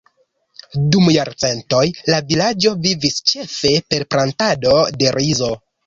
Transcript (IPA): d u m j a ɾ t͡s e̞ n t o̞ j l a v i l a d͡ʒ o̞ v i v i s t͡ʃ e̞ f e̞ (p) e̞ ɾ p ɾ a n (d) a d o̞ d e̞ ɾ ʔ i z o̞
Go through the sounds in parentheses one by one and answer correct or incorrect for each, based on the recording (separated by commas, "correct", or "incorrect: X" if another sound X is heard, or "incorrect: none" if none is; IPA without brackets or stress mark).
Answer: correct, incorrect: t